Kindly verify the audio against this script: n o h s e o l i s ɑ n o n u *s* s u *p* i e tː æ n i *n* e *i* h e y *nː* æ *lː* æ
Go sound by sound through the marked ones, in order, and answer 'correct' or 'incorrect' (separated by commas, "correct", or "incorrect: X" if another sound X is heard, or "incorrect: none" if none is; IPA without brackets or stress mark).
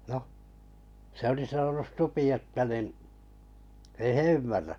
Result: correct, correct, correct, correct, incorrect: mː, incorrect: rː